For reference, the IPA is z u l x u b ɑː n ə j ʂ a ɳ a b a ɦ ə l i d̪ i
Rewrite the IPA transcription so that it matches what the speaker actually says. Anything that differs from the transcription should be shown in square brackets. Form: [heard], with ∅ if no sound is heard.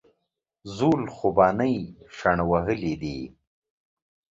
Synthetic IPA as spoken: z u l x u b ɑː n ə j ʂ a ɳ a [w] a ɦ ə l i d̪ i